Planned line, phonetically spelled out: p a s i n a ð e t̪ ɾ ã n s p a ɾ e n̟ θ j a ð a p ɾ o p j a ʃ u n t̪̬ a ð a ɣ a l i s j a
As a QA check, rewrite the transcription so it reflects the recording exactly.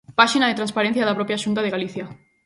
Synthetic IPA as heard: p a ʃ i n a ð e t̪ ɾ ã n s p a ɾ e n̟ θ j a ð a p ɾ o p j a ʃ u n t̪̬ a ð e ɣ a l i θ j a